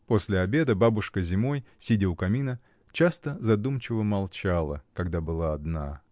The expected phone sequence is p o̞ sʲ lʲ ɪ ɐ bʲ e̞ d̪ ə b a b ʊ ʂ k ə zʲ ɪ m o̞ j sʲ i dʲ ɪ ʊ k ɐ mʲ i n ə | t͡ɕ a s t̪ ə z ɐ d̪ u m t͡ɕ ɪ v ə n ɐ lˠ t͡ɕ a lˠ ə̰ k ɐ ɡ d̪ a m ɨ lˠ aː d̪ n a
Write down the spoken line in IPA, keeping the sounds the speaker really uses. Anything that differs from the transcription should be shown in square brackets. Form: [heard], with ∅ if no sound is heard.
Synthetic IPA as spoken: p o̞ sʲ lʲ ɪ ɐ bʲ e̞ d̪ ə b a b ʊ ʂ k ə zʲ ɪ m o̞ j sʲ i dʲ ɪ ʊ k ɐ mʲ i n ə | t͡ɕ a s t̪ ə z ɐ d̪ u m t͡ɕ ɪ v ə [m] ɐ lˠ t͡ɕ a lˠ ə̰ k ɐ ɡ d̪ a [b] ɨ lˠ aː d̪ n a